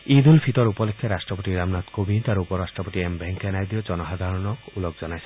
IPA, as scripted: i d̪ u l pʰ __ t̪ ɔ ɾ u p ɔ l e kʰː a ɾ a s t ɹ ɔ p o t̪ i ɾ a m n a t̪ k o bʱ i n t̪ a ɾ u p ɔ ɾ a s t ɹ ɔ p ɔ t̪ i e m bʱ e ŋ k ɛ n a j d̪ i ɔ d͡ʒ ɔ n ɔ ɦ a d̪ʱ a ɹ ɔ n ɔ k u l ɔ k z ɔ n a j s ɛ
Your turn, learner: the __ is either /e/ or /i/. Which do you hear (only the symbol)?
i